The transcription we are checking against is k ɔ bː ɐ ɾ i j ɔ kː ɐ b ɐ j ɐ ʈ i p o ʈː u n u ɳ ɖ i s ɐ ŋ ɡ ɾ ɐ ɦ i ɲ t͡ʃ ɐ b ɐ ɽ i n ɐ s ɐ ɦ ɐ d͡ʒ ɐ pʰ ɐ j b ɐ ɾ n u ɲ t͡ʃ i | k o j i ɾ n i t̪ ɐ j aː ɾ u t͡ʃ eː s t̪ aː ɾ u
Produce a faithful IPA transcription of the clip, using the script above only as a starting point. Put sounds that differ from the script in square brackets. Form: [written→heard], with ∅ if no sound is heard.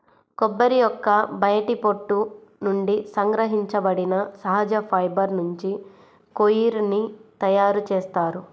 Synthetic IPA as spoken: k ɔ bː ɐ ɾ i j ɔ kː ɐ b ɐ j ɐ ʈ i p o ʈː u n u ɳ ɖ i s ɐ ŋ ɡ ɾ ɐ ɦ i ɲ t͡ʃ ɐ b ɐ ɽ i n ɐ s ɐ ɦ ɐ d͡ʒ ɐ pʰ ɐ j b ɐ ɾ n u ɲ t͡ʃ i | k o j i ɾ n i t̪ ɐ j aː ɾ u t͡ʃ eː s t̪ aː ɾ u

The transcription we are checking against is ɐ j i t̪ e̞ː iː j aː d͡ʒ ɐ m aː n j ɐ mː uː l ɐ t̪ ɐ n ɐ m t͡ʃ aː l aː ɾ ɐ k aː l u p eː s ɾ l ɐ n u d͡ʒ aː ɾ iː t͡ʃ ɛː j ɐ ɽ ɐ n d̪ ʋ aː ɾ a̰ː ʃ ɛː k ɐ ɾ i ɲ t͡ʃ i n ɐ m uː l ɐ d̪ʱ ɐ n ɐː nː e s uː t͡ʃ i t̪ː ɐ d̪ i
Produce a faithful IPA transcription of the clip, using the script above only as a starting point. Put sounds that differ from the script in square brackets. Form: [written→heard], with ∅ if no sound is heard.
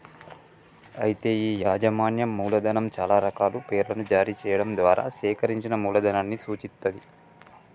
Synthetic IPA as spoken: ɐ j i t̪ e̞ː iː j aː d͡ʒ ɐ m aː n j ɐ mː uː l ɐ [t̪→d̪] ɐ n ɐ m t͡ʃ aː l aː ɾ ɐ k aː l u p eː [s→∅] ɾ l ɐ n u d͡ʒ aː ɾ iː t͡ʃ ɛː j ɐ ɽ ɐ [n→m] d̪ ʋ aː ɾ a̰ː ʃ ɛː k ɐ ɾ i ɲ t͡ʃ i n ɐ m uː l ɐ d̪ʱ ɐ n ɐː nː [e→i] s uː t͡ʃ i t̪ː ɐ d̪ i

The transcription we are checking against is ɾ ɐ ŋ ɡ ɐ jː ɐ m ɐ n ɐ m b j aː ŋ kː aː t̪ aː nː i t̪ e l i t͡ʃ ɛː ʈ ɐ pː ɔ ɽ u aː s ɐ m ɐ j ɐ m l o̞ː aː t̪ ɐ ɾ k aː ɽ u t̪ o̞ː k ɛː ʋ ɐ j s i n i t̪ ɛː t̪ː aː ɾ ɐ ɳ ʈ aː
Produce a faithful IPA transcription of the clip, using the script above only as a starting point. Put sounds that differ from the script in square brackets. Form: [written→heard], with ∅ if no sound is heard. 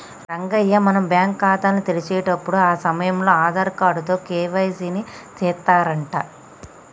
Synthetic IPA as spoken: ɾ ɐ ŋ ɡ ɐ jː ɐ m ɐ n ɐ m b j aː ŋ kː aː t̪ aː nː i t̪ e l i t͡ʃ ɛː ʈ ɐ pː [ɔ→u] ɽ u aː s ɐ m ɐ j ɐ m l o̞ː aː [t̪→d̪] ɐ ɾ k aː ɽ u t̪ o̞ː k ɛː ʋ ɐ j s i n i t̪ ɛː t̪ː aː ɾ ɐ ɳ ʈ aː

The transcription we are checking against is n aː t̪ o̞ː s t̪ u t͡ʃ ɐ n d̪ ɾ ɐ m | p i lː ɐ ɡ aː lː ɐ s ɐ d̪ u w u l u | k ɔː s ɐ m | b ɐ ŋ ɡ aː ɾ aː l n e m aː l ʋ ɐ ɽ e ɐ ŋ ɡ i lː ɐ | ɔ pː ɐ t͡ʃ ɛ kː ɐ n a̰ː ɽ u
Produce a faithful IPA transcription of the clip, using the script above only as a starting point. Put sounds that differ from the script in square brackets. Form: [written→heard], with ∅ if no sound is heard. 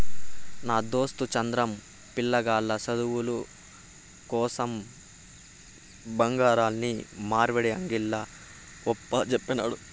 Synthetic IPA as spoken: n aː [t̪→d̪] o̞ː s t̪ u t͡ʃ ɐ n d̪ ɾ ɐ m | p i lː ɐ ɡ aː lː ɐ s ɐ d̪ u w u l u | k ɔː s ɐ m | b ɐ ŋ ɡ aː ɾ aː l n [e→i] m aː [l→ɾ] ʋ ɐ ɽ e ɐ ŋ ɡ i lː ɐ | ɔ pː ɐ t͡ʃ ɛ [kː→pː] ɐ n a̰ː ɽ u

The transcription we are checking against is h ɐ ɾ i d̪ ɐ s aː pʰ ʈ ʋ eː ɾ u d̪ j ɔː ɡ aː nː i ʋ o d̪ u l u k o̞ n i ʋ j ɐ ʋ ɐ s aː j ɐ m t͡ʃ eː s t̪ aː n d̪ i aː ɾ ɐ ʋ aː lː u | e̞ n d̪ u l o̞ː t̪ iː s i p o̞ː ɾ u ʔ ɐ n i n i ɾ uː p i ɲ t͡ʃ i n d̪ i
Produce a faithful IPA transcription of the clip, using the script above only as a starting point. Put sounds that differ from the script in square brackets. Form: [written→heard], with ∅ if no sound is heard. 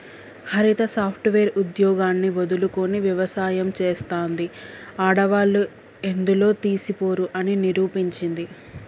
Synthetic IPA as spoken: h ɐ ɾ i [d̪→t̪] ɐ s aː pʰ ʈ ʋ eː ɾ u d̪ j ɔː ɡ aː nː i ʋ o d̪ u l u k o̞ n i ʋ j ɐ ʋ ɐ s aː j ɐ m t͡ʃ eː s t̪ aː n d̪ i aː [ɾ→ɽ] ɐ ʋ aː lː u | e̞ n d̪ u l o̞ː t̪ iː s i p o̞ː ɾ u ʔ ɐ n i n i ɾ uː p i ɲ t͡ʃ i n d̪ i

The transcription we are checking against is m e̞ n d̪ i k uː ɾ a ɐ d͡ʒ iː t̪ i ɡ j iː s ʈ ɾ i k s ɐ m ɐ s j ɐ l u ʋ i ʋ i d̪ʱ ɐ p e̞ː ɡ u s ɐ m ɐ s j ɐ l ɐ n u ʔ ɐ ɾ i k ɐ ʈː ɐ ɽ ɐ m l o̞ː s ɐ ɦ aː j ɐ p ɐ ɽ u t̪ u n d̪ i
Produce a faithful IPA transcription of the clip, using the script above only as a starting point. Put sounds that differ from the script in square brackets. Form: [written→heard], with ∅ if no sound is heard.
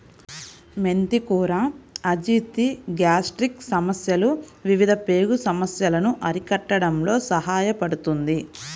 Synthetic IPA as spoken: m e̞ n [d̪→t̪] i k uː ɾ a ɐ d͡ʒ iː t̪ i ɡ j [iː→aː] s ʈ ɾ i k s ɐ m ɐ s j ɐ l u ʋ i ʋ i d̪ʱ ɐ p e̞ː ɡ u s ɐ m ɐ s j ɐ l ɐ n u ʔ ɐ ɾ i k ɐ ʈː ɐ ɽ ɐ m l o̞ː s ɐ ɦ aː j ɐ p ɐ ɽ u t̪ u n d̪ i

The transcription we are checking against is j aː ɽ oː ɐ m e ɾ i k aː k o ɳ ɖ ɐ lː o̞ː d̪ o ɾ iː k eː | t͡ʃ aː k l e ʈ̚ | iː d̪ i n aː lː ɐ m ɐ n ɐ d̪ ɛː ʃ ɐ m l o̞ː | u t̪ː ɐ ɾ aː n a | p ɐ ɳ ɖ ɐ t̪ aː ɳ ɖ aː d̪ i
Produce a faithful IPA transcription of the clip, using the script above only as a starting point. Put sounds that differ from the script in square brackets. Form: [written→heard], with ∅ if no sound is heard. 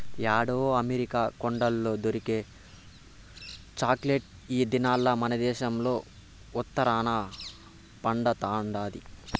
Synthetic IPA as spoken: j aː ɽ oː ɐ m e ɾ i k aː k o ɳ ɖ ɐ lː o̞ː d̪ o ɾ [iː→i] k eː | t͡ʃ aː k l e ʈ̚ | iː d̪ i n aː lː ɐ m ɐ n ɐ d̪ ɛː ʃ ɐ m l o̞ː | u t̪ː ɐ ɾ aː n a | p ɐ ɳ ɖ ɐ t̪ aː ɳ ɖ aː d̪ i

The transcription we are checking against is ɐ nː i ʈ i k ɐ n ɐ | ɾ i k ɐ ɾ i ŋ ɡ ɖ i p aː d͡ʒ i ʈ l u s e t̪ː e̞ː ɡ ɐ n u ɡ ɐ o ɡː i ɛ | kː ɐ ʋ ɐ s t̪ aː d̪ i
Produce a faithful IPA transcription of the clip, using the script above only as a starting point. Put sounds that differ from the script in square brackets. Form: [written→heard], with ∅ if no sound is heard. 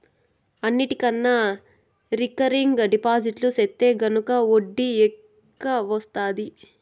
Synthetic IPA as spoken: ɐ nː i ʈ i k ɐ [n→nː] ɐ | ɾ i k ɐ ɾ i ŋ ɡ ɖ i p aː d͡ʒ i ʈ l u s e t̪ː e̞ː ɡ ɐ n u [ɡ→k] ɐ o [ɡː→ɖː] i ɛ | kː ɐ ʋ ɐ s t̪ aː d̪ i

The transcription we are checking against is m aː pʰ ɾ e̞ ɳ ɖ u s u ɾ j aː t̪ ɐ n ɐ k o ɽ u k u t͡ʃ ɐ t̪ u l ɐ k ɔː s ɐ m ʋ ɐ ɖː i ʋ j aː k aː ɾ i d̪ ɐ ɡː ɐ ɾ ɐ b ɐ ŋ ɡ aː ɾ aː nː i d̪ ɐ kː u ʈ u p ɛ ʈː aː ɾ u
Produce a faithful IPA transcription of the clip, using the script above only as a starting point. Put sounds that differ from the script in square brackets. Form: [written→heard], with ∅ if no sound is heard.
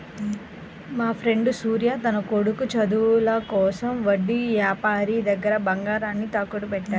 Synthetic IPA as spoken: m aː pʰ ɾ e̞ ɳ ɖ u s [u→uː] ɾ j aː t̪ ɐ n ɐ k o ɽ u k u t͡ʃ ɐ [t̪→d̪] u l ɐ k ɔː s ɐ m ʋ ɐ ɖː i ʋ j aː [k→p] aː ɾ i d̪ ɐ ɡː ɐ ɾ ɐ b ɐ ŋ ɡ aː ɾ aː nː i [d̪→t̪] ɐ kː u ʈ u p ɛ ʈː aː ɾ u

